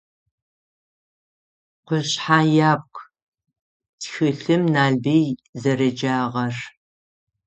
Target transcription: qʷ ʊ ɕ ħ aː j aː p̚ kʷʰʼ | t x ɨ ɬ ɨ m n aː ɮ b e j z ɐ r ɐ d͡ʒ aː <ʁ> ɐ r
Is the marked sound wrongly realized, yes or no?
no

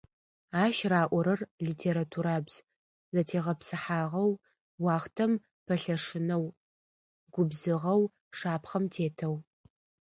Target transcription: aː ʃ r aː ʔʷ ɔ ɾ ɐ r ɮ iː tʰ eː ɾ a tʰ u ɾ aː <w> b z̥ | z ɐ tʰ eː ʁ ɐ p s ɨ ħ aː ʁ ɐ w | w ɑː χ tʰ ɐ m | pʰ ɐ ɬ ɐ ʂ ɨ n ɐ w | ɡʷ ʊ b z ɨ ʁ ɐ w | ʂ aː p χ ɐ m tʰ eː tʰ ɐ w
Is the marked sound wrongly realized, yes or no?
yes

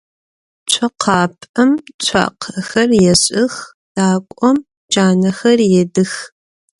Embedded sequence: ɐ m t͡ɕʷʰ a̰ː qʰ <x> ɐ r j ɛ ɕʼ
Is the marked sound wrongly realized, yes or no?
no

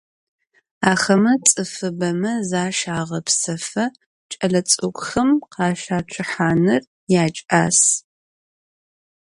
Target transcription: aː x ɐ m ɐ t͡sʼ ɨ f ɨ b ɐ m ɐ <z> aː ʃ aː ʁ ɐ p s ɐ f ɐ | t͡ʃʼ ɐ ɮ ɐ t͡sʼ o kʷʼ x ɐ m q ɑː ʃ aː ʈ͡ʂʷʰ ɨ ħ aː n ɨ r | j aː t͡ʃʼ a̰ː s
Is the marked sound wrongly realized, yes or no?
no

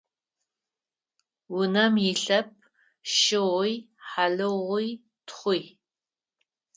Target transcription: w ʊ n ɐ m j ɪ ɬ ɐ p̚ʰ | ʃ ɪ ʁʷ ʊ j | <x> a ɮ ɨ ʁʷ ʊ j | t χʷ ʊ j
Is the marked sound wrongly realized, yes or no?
yes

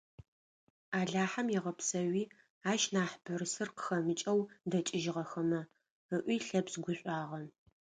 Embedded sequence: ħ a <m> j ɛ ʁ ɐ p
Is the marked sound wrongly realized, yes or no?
no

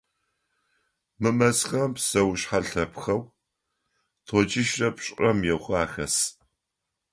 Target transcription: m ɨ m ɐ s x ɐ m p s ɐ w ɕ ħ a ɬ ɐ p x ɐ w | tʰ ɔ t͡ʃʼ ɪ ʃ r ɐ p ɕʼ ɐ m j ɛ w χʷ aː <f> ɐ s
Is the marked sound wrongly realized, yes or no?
yes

